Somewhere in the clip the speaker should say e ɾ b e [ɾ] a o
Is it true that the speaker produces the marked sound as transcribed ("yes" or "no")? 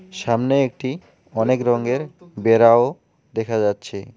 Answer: yes